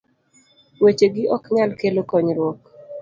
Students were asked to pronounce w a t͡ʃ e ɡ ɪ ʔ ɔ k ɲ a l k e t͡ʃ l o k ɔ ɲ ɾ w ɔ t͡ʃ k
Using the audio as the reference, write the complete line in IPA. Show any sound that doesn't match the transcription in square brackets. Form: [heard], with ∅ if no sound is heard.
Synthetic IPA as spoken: w [e] t͡ʃ e ɡ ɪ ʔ ɔ k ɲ a l k e [∅] l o k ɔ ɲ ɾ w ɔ [∅] k